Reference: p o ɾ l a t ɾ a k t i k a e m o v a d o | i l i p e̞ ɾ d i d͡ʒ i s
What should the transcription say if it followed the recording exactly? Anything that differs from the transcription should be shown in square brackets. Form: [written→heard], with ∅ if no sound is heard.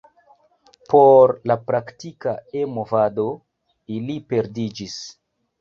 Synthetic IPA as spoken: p o ɾ l a [t→p] ɾ a k t i k a e m o v a d o | i l i p e̞ ɾ d i d͡ʒ i s